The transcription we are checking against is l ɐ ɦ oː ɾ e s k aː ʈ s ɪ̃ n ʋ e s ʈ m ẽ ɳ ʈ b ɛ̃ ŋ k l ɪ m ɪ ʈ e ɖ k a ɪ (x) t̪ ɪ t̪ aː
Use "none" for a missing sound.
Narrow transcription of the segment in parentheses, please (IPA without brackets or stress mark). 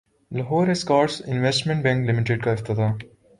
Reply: f